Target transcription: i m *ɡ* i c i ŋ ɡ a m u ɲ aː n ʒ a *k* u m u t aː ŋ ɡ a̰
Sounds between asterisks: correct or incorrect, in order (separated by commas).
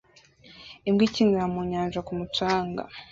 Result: correct, correct